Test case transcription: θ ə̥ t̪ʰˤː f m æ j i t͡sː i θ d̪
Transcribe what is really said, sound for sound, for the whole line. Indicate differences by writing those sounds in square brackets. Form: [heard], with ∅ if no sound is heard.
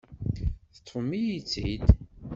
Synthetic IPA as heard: θ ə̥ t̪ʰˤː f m [i] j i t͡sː i [∅] d̪